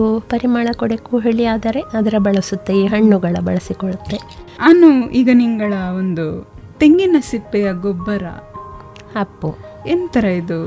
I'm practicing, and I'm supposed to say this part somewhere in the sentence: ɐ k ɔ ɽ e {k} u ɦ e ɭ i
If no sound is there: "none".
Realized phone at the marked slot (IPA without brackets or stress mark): k